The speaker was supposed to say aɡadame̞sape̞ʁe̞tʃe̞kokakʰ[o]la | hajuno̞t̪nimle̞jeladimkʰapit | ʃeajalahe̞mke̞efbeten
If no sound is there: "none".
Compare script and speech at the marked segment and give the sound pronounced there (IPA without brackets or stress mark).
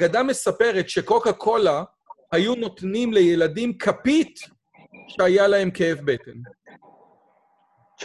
o